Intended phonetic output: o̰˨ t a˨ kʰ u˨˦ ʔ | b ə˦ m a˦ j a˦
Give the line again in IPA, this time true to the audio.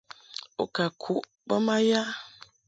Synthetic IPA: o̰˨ k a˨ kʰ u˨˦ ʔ | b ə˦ m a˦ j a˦